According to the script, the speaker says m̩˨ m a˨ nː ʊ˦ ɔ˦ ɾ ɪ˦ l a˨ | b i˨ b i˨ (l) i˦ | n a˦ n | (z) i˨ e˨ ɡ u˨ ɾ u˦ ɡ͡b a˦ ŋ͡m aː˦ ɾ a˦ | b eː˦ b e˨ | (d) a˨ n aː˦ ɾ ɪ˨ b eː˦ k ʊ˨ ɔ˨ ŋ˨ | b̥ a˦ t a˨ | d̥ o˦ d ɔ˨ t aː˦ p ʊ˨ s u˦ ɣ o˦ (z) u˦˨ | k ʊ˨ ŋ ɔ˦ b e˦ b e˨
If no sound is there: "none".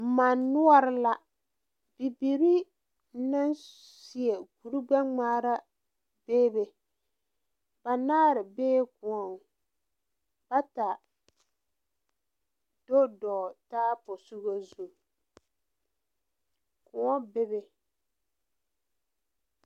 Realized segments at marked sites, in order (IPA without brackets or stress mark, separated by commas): ɾ, s, b, z